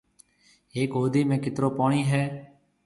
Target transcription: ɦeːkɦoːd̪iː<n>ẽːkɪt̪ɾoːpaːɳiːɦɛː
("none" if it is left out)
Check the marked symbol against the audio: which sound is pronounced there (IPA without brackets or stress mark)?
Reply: m